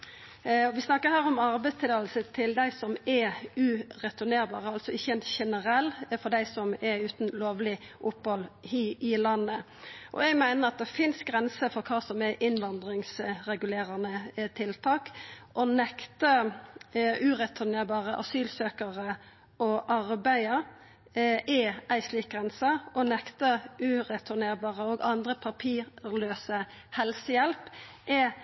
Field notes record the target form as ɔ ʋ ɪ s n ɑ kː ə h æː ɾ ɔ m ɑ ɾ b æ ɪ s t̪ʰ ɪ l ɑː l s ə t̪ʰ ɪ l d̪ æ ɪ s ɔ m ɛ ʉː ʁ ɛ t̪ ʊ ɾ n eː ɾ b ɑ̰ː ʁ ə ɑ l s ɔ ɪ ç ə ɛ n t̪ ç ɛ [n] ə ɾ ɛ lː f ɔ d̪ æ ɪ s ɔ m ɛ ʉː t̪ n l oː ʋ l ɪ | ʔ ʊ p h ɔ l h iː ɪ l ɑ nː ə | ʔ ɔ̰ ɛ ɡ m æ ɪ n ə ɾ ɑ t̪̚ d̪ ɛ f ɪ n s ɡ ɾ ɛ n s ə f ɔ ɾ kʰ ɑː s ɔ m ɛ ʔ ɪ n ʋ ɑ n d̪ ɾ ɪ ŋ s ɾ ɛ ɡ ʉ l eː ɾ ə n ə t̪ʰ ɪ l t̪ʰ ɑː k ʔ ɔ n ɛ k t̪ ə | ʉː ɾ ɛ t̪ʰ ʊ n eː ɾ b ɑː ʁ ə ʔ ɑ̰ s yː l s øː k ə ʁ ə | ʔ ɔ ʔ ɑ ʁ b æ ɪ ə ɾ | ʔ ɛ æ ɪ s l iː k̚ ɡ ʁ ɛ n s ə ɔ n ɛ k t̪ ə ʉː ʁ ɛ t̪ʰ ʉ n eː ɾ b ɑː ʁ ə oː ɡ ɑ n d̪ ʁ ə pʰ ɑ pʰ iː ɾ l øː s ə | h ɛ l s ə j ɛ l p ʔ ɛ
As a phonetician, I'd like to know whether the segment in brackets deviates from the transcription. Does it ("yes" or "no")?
no